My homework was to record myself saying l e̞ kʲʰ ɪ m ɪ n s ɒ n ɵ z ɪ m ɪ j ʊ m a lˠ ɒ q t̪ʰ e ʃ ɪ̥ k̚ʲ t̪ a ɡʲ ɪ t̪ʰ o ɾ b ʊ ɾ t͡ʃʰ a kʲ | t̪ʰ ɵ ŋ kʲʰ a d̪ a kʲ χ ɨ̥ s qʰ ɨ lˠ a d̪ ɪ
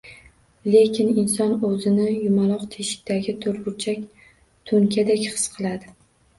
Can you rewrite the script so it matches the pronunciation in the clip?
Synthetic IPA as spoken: l e̞ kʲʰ ɪ n ɪ n s ɒ n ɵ z ɪ n ɪ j ʊ m a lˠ ɒ q t̪ʰ e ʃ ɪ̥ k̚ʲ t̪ a ɡʲ ɪ t̪ʰ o ɾ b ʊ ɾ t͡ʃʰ a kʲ | t̪ʰ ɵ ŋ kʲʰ a d̪ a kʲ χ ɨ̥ s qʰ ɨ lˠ a d̪ ɪ